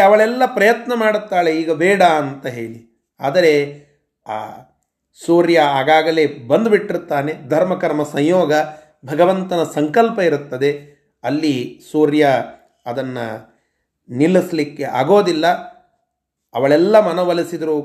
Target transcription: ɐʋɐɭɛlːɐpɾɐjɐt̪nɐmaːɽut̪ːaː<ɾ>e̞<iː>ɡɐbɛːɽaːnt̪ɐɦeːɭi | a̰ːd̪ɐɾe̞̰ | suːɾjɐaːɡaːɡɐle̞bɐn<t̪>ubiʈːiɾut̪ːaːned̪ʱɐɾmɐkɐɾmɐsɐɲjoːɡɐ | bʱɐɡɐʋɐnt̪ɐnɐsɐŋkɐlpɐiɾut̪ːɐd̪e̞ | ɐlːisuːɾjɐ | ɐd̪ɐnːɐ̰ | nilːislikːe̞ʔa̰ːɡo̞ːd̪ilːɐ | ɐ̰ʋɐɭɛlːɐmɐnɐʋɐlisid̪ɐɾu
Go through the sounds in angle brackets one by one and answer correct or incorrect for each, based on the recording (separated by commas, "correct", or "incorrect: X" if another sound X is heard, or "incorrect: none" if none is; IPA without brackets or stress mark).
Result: incorrect: ɭ, correct, incorrect: d̪